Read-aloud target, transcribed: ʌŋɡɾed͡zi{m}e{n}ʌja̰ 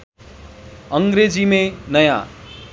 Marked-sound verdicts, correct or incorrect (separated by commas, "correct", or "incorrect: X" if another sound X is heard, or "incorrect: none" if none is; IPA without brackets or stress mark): correct, correct